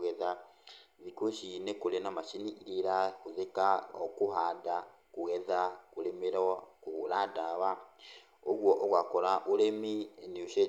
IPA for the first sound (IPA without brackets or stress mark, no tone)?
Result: ɣ